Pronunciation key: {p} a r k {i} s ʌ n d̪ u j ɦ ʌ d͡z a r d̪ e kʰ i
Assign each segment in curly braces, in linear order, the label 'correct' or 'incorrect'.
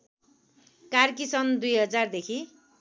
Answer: incorrect, correct

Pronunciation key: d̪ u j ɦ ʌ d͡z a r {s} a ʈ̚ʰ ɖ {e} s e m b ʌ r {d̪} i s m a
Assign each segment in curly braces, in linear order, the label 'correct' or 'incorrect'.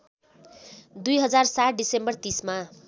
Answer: correct, incorrect, incorrect

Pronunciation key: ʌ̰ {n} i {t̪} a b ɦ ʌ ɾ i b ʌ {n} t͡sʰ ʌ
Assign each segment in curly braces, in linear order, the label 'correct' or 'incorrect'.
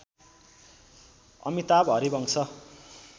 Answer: incorrect, correct, incorrect

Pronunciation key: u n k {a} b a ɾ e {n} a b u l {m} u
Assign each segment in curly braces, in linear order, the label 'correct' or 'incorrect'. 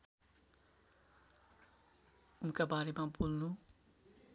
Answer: correct, incorrect, incorrect

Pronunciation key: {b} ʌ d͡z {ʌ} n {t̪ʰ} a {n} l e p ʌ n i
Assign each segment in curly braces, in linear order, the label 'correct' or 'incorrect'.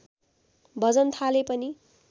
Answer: correct, correct, correct, incorrect

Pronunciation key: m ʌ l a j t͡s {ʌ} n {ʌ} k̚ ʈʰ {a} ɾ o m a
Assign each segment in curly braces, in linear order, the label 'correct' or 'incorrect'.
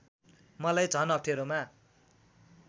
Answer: correct, correct, incorrect

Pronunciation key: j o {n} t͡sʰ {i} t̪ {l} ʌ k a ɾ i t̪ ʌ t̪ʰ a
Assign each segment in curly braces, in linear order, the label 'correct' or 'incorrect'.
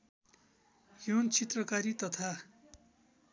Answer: correct, correct, incorrect

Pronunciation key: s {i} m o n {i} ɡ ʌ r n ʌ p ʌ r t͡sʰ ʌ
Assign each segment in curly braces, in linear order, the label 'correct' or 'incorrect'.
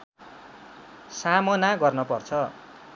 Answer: incorrect, incorrect

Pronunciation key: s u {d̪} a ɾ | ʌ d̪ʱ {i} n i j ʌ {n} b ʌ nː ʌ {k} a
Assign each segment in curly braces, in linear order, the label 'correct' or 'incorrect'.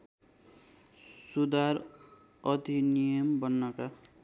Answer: correct, correct, incorrect, correct

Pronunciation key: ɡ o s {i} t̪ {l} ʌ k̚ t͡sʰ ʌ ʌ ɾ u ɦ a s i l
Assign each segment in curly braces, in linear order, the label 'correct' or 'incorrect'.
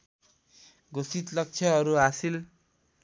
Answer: correct, correct

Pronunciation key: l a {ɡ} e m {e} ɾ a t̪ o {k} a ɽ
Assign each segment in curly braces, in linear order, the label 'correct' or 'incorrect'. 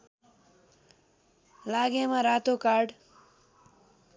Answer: correct, incorrect, correct

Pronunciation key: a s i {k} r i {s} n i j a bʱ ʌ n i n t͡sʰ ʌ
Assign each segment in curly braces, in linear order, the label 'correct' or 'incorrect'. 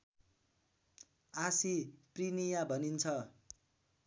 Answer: incorrect, incorrect

